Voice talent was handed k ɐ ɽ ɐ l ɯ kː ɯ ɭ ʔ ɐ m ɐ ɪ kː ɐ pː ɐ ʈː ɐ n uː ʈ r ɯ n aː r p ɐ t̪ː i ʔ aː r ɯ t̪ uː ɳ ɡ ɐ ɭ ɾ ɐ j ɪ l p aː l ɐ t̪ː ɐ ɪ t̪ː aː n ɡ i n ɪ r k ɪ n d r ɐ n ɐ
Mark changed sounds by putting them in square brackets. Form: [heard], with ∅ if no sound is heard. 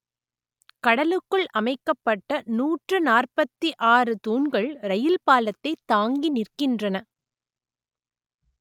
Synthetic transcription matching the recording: k ɐ ɽ ɐ l ɯ kː ɯ ɭ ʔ ɐ m ɐ ɪ kː ɐ pː ɐ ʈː ɐ n uː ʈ r ɯ n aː r p ɐ t̪ː i ʔ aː r ɯ t̪ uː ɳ ɡ ɐ ɭ ɾ ɐ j ɪ l p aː l ɐ t̪ː ɐ ɪ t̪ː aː [ŋ] ɡ i n ɪ r k ɪ n d r ɐ n ɐ